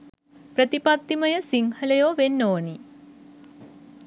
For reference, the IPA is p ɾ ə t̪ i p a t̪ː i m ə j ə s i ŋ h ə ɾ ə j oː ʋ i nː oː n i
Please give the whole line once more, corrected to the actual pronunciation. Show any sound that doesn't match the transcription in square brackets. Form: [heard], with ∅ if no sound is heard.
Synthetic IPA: p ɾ ə t̪ i p a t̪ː i m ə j ə s i ŋ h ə [l] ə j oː ʋ [e] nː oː n i